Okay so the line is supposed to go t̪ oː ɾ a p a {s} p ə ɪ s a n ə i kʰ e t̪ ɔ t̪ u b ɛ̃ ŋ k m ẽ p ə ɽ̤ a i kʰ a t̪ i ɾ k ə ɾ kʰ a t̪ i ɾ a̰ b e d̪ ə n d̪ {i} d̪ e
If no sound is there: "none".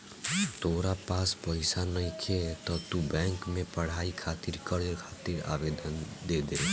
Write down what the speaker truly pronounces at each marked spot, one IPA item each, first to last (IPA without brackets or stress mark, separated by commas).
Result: s, e